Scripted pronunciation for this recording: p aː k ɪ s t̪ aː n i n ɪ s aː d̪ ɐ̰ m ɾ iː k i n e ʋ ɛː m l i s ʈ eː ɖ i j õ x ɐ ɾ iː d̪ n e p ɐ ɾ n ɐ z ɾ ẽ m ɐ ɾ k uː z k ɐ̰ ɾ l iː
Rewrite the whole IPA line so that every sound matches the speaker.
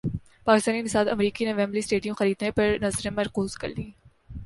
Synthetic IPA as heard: p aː k ɪ s t̪ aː n i n ɪ s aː d̪ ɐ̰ m ɾ iː k i n e ʋ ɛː m l i s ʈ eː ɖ i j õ x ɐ ɾ iː d̪ n e p ɐ ɾ n ɐ z ɾ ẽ m ɐ ɾ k uː z k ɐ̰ ɾ l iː